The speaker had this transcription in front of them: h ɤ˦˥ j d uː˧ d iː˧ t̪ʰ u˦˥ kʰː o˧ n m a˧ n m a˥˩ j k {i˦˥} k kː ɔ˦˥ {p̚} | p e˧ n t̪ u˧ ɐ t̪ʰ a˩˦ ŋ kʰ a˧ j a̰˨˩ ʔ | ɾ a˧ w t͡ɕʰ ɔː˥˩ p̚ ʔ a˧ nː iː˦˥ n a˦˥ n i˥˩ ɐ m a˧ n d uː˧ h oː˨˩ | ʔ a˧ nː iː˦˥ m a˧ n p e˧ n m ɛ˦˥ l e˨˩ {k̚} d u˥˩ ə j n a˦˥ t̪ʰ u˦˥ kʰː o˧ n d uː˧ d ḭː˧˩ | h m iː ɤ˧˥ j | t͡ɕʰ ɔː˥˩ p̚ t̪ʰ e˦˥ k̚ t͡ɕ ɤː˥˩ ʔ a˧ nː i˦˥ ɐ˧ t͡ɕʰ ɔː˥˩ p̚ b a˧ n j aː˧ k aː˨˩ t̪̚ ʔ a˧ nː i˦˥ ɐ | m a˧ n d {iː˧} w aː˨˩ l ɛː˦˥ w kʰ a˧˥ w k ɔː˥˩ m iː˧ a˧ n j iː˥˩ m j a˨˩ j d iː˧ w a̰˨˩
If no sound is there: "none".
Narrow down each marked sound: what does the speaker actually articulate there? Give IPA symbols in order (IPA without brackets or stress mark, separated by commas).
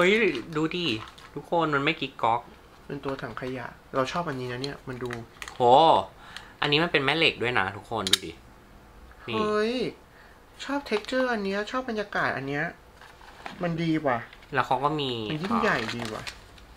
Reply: i˦˥, k̚, k̚, iː˧